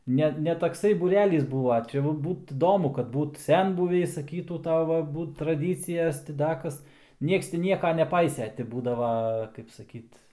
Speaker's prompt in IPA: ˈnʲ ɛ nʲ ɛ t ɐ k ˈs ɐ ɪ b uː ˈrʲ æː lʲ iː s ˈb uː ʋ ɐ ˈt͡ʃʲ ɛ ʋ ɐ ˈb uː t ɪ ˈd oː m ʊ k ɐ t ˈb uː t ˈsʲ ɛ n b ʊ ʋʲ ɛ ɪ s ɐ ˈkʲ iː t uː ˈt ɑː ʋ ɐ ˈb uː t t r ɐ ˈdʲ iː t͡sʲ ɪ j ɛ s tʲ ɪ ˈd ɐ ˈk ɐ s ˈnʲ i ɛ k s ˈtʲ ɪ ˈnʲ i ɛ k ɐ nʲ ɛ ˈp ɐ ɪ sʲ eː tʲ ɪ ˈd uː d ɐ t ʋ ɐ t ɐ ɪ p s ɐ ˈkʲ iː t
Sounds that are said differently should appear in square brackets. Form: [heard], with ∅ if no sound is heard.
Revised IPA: ˈnʲ ɛ nʲ ɛ t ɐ k ˈs ɐ ɪ b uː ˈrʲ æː lʲ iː s ˈb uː ʋ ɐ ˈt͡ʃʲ ɛ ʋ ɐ ˈb uː t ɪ ˈd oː m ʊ k ɐ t ˈb uː t ˈsʲ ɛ n b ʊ ʋʲ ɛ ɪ s ɐ ˈkʲ iː t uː ˈt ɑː ʋ ɐ ˈb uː t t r ɐ ˈdʲ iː t͡sʲ ɪ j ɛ s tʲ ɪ ˈd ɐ ˈk ɐ s ˈnʲ i ɛ k s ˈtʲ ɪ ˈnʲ i ɛ k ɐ nʲ ɛ ˈp ɐ ɪ sʲ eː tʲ ɪ [ˈb] uː d ɐ [∅] ʋ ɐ [k] ɐ ɪ p s ɐ ˈkʲ iː t